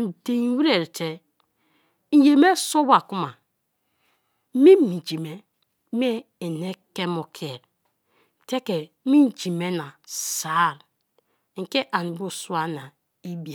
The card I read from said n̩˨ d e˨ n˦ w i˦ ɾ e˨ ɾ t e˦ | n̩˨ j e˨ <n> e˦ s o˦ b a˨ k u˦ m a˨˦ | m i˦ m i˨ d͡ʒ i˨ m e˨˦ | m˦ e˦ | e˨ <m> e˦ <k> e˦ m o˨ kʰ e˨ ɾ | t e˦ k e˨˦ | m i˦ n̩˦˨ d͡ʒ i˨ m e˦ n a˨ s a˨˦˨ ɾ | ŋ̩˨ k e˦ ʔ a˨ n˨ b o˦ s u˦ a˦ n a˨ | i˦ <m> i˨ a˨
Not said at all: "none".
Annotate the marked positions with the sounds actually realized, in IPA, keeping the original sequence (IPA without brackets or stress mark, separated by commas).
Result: m, n, k, b